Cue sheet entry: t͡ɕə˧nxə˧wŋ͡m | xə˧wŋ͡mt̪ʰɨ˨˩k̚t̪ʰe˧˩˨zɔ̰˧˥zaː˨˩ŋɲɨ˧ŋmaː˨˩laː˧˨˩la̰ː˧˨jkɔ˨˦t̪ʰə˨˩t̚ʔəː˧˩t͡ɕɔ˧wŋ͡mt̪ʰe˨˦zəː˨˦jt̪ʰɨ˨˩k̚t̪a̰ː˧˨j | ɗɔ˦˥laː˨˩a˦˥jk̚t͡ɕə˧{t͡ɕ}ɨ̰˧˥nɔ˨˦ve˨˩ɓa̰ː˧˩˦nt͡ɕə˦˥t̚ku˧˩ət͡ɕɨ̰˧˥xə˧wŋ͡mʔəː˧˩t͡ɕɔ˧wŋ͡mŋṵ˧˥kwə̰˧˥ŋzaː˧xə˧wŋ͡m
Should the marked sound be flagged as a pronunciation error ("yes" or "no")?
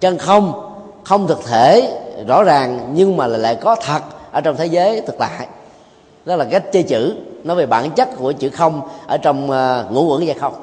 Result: no